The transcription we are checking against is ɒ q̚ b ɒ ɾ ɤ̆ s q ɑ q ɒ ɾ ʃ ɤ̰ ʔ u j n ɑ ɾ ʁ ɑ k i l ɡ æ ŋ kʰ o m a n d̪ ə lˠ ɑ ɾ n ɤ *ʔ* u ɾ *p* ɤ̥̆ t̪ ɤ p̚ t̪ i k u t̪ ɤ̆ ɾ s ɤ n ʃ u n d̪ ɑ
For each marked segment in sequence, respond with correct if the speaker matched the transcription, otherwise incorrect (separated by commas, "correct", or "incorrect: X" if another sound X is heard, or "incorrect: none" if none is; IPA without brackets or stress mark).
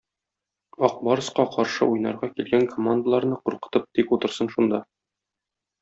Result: incorrect: q, incorrect: q